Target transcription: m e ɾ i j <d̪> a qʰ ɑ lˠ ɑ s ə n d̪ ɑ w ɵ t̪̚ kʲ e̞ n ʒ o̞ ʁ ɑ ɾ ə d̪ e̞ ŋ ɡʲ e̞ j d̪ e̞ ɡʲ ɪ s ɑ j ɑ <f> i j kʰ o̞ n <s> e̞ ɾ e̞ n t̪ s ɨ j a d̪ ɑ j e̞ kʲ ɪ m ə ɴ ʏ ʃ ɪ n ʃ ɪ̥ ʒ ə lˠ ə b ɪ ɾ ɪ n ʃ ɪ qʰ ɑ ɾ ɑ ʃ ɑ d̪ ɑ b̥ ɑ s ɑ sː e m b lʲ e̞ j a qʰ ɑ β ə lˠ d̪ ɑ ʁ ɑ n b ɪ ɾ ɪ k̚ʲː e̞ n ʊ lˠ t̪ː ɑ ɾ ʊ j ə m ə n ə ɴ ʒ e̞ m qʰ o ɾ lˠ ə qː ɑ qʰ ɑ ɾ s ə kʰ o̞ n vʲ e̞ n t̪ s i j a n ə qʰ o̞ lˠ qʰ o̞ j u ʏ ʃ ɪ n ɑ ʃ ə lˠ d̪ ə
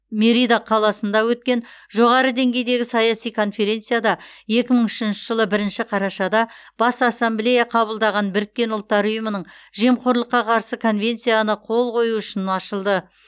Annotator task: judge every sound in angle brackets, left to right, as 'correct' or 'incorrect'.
correct, incorrect: s, incorrect: f

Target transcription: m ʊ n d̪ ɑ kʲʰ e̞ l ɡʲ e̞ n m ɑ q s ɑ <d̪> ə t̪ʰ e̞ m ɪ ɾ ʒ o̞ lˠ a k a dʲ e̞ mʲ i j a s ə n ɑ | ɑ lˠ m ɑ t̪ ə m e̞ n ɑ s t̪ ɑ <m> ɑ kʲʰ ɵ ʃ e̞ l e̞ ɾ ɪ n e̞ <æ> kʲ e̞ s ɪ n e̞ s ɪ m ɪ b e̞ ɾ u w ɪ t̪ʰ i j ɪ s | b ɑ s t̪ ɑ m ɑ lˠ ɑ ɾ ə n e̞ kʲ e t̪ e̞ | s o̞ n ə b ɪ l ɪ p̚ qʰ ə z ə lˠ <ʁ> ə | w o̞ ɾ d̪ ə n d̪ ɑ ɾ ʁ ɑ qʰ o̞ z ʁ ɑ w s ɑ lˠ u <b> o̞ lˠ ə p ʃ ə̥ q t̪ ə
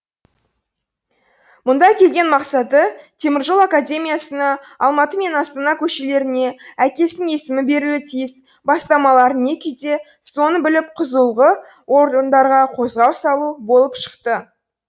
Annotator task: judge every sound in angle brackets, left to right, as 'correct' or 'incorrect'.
incorrect: t̪, incorrect: n, correct, correct, correct

